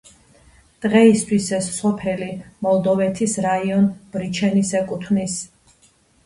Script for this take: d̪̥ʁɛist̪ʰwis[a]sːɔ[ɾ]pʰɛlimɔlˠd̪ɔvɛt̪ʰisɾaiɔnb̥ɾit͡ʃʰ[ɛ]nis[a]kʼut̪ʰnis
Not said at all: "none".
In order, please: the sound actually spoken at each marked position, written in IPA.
ɛ, none, ɛ, ɛ

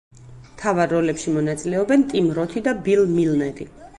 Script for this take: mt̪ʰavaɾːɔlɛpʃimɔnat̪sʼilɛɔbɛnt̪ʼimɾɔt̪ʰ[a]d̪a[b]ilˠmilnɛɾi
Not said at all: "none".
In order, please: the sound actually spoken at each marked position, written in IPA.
i, b

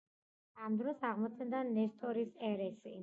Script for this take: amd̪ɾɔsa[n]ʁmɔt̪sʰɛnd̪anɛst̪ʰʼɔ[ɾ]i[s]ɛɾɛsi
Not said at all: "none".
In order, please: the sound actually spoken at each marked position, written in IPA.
none, ɾ, s

